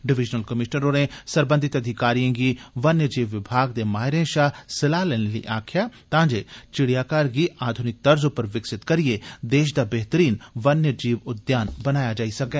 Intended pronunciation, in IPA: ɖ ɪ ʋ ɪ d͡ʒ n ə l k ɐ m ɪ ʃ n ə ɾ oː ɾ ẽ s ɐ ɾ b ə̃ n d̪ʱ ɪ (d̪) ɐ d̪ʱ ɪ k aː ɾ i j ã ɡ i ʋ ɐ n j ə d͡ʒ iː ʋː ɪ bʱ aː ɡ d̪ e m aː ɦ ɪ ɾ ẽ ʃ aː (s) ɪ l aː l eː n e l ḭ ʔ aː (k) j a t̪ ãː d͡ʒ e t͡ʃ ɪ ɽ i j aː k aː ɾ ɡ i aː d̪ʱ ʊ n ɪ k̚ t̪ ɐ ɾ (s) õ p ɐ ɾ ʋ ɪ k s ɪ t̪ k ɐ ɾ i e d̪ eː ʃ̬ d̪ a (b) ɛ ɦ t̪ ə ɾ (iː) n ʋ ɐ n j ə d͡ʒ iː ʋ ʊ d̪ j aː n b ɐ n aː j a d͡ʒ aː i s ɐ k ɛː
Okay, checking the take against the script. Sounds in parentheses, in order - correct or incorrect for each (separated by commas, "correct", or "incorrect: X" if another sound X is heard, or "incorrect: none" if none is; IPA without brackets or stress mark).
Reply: incorrect: t̪, correct, incorrect: kʰ, incorrect: z, correct, correct